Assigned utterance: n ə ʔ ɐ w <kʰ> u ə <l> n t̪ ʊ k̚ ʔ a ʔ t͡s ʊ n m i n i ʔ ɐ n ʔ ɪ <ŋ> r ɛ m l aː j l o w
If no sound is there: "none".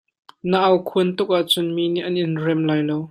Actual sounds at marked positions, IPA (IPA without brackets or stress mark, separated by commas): kʰ, none, n